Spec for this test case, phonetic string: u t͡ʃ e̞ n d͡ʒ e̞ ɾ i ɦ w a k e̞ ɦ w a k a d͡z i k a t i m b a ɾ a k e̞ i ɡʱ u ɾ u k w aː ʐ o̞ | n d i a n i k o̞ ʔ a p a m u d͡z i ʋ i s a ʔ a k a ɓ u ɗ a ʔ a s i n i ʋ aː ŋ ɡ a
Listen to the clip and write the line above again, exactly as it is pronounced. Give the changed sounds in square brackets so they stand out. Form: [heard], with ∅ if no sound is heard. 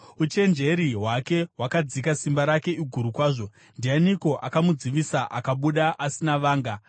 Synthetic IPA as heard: u t͡ʃ e̞ n d͡ʒ e̞ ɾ i ɦ w a k e̞ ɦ w a k a d͡z i k a [s] i m b a ɾ a k e̞ i ɡʱ u ɾ u k w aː ʐ o̞ | n d i a n i k o̞ ʔ a [k] a m u d͡z i ʋ i s a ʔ a k a ɓ u ɗ a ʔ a s i n [a] ʋ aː ŋ ɡ a